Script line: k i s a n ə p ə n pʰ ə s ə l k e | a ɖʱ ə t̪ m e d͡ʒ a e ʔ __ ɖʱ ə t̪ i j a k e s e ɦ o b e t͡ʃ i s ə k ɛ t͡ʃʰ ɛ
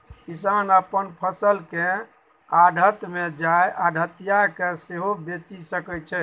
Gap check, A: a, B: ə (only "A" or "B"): A